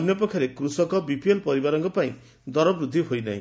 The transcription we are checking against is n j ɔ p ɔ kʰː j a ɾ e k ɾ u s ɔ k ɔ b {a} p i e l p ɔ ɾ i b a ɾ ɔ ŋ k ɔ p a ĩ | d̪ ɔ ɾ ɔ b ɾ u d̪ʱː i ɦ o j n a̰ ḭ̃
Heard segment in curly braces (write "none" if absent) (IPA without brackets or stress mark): i